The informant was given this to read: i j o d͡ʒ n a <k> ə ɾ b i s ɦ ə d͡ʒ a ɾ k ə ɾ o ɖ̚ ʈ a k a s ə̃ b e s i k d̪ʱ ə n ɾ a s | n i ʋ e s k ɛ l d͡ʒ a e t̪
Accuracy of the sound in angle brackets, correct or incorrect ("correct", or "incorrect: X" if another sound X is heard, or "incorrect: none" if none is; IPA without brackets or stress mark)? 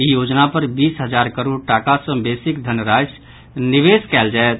incorrect: p